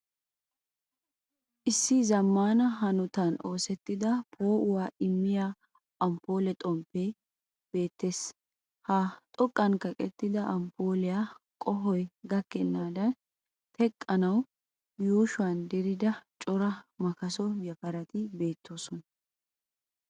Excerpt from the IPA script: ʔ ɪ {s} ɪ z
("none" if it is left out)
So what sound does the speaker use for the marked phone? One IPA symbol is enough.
sː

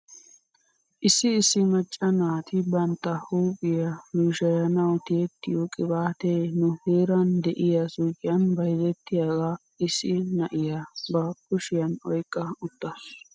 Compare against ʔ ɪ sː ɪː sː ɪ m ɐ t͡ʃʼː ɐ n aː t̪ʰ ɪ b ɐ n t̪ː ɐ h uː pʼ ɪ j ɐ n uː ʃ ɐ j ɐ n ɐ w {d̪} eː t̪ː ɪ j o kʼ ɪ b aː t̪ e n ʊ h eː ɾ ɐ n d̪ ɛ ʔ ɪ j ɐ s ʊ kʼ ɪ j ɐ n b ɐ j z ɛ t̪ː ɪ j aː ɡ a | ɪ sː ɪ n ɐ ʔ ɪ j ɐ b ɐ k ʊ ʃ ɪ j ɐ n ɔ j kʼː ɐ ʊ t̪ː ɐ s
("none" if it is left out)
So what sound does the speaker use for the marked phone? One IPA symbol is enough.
t̪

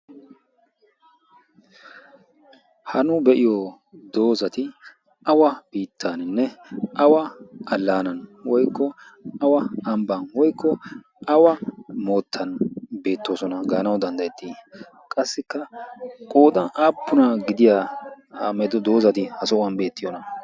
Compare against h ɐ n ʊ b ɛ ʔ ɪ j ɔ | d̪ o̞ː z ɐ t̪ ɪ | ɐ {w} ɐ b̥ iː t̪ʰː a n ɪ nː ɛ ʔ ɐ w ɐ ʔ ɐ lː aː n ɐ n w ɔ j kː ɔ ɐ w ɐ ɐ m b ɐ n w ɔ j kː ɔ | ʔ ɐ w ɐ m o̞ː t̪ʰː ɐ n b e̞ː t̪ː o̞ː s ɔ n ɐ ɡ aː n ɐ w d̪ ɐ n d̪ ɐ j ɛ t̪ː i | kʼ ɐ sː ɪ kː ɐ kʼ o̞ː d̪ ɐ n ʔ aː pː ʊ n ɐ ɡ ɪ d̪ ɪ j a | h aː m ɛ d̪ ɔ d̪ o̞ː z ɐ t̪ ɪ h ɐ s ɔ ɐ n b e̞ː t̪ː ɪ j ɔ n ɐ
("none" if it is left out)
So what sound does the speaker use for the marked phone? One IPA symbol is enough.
w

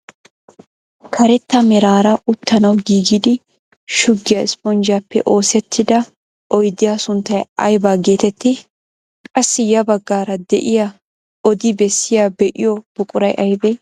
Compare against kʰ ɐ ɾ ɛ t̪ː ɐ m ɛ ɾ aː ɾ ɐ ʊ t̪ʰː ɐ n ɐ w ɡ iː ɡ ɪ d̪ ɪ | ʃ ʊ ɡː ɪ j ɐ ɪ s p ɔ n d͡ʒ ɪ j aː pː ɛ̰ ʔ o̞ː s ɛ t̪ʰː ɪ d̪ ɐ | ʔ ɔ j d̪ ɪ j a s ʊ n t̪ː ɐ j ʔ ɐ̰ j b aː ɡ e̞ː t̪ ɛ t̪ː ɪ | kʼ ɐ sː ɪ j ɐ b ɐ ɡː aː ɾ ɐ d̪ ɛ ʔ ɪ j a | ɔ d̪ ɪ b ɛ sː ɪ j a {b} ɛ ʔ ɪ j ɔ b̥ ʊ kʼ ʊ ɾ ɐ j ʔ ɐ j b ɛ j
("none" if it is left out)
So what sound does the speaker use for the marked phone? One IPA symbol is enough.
b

